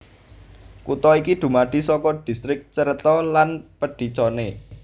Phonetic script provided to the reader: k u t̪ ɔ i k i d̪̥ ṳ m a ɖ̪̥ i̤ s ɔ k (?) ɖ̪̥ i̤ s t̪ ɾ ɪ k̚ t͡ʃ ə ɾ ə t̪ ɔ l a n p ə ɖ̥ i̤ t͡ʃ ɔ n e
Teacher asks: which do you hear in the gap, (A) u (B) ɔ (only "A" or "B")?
B